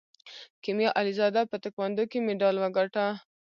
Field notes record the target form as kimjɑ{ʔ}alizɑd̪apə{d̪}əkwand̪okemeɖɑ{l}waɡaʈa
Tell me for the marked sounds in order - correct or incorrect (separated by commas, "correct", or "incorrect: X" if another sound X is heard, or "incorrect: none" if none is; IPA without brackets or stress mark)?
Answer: correct, incorrect: t̪, correct